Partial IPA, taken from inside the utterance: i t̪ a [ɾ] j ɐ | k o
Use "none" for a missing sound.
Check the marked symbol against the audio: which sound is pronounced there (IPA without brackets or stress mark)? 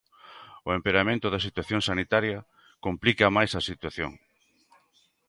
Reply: ɾ